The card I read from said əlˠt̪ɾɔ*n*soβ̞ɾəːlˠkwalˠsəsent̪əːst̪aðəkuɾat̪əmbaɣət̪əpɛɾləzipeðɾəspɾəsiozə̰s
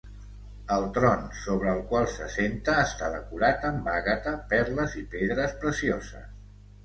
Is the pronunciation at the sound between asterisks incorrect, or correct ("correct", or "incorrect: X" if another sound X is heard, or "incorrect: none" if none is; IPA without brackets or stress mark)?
correct